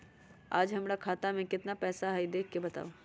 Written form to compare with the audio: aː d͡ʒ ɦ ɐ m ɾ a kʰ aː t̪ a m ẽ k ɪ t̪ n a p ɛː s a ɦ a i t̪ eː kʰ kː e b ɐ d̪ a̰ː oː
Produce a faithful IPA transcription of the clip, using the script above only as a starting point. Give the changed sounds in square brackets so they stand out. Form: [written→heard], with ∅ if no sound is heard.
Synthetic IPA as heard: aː d͡ʒ ɦ ɐ m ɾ a kʰ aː t̪ a m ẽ k ɪ t̪ n a p ɛː s a ɦ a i [t̪→d̪] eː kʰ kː e b ɐ [d̪→t̪] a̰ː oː